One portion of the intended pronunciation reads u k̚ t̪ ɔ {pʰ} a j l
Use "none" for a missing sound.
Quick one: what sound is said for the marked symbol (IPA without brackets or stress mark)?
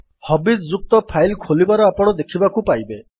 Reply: pʰ